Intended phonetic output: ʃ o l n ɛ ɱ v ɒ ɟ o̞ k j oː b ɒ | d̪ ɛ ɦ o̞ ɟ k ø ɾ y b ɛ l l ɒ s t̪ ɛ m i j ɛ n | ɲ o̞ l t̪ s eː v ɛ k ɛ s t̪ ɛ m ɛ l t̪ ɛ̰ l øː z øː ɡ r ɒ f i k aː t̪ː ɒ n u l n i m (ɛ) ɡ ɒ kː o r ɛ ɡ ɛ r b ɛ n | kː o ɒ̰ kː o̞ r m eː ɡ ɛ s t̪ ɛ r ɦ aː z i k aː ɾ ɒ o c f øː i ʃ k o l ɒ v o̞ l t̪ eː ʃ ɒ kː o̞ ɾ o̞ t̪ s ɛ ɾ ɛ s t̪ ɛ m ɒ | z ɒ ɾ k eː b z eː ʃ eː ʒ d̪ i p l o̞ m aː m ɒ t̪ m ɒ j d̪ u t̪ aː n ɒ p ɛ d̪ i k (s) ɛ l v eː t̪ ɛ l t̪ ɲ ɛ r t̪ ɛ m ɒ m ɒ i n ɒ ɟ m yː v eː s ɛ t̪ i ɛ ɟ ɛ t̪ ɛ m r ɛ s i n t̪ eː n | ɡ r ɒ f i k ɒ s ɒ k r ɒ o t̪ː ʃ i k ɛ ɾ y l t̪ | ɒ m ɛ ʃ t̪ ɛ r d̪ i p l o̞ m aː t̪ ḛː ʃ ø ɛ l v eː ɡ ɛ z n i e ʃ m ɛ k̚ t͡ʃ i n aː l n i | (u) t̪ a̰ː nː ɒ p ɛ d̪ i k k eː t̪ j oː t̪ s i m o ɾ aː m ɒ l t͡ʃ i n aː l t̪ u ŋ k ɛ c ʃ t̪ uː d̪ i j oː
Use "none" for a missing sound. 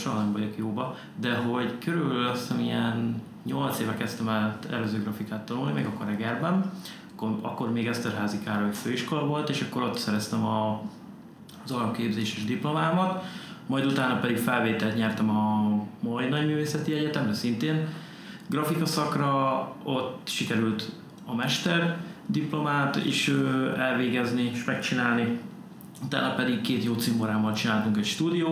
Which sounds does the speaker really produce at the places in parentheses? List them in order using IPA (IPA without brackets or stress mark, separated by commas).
ɛ, f, u